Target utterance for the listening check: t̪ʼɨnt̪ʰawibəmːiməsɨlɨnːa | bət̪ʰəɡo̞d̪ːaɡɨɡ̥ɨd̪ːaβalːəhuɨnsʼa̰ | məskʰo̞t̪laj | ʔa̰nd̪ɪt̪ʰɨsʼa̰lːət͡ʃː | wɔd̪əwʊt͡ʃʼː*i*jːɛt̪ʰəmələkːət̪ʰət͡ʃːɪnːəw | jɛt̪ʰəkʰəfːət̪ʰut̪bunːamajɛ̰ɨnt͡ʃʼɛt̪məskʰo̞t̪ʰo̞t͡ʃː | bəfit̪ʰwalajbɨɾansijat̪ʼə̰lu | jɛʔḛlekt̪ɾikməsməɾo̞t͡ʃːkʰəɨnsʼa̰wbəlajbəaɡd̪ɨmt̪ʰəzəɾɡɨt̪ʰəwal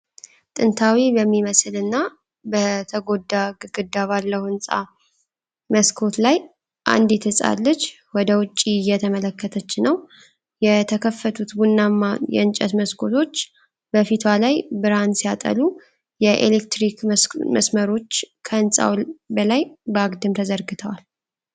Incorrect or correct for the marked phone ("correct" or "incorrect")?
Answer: correct